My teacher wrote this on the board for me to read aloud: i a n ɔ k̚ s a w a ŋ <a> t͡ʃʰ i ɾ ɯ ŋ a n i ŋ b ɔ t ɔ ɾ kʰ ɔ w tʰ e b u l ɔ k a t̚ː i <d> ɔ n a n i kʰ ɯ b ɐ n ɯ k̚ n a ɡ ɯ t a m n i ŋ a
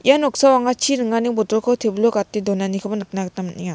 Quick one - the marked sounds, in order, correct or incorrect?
correct, correct

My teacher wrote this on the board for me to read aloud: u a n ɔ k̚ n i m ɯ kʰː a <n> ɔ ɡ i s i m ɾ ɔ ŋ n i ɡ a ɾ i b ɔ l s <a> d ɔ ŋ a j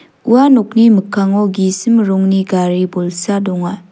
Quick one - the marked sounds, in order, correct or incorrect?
incorrect, correct

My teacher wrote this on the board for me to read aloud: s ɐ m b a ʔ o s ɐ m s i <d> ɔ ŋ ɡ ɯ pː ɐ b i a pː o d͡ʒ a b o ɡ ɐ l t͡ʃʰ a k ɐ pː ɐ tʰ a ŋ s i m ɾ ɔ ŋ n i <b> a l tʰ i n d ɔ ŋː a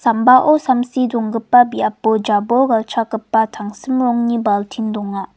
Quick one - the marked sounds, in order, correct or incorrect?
correct, correct

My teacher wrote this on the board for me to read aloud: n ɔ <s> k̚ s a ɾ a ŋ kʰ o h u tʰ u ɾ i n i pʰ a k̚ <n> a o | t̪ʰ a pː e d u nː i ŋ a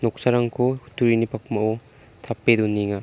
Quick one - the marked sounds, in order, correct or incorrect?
incorrect, incorrect

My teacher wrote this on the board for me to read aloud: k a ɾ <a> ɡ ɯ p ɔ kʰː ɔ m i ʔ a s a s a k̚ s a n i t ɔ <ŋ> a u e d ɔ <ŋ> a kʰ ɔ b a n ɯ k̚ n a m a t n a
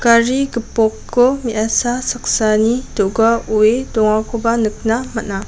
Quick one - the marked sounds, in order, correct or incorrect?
incorrect, incorrect, correct

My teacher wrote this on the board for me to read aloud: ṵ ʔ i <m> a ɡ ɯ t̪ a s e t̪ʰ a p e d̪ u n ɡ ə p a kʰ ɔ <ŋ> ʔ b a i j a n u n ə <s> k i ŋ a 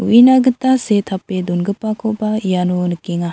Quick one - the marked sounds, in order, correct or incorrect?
incorrect, incorrect, incorrect

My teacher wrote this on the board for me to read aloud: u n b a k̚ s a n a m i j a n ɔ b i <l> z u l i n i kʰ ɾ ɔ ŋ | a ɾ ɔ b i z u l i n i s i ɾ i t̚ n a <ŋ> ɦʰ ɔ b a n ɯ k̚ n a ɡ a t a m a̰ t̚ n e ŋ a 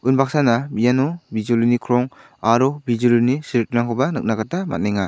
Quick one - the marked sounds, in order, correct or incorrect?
incorrect, correct

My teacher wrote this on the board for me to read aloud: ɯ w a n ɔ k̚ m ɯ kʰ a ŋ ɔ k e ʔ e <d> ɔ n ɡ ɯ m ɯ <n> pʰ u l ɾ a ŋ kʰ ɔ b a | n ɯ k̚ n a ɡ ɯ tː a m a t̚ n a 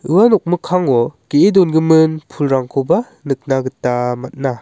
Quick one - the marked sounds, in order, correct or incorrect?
correct, correct

